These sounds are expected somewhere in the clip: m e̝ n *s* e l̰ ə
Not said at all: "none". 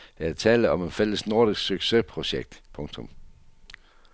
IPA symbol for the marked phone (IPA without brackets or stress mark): f